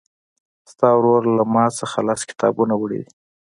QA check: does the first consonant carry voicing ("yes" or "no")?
no